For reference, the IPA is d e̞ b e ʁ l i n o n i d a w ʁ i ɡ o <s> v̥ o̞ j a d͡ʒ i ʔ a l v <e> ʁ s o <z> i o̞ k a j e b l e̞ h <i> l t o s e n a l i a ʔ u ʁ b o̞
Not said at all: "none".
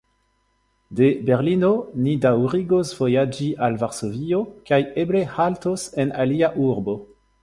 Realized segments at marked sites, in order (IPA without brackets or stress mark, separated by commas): s, a, v, a